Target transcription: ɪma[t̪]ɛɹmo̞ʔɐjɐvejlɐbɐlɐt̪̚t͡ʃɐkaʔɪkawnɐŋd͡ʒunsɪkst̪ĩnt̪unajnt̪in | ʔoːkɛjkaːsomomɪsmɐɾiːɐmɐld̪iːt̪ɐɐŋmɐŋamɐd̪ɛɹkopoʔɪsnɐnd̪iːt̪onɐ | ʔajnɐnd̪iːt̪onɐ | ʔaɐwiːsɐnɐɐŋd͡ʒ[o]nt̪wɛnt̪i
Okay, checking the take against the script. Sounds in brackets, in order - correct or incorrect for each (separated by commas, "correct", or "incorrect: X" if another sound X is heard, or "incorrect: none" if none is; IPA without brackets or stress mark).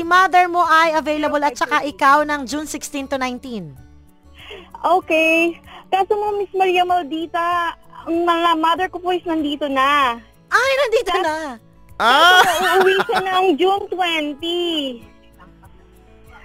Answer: incorrect: d̪, incorrect: u